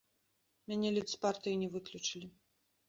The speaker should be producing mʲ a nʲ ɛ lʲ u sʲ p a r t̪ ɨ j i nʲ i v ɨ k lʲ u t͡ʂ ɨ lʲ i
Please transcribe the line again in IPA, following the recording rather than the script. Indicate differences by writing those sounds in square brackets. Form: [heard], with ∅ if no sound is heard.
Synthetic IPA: mʲ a nʲ ɛ lʲ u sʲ p a r t̪ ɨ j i nʲ [ɛ] v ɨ k lʲ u t͡ʂ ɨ lʲ i